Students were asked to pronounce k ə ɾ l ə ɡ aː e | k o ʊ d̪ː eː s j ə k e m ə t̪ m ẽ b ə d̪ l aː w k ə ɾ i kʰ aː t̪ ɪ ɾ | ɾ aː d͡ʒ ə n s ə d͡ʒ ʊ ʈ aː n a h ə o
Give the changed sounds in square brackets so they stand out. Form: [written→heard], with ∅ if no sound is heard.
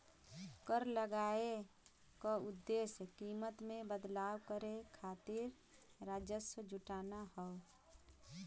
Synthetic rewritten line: k ə ɾ l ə ɡ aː e | k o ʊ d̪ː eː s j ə k [e→i] m ə t̪ m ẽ b ə d̪ l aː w k ə ɾ [i→e] kʰ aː t̪ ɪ ɾ | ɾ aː d͡ʒ ə [n→∅] s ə d͡ʒ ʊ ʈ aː n a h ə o